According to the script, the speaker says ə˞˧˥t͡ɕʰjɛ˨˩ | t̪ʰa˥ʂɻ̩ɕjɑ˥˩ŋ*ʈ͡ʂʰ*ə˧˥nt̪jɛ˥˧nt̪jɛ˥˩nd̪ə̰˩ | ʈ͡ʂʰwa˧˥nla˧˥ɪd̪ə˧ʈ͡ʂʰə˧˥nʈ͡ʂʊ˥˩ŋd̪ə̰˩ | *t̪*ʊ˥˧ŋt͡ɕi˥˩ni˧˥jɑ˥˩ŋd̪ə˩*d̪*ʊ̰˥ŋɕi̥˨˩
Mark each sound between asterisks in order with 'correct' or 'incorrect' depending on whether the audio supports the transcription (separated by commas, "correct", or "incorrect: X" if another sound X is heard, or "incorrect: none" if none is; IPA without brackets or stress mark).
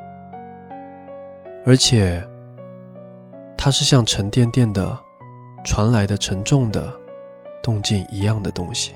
correct, correct, incorrect: t̪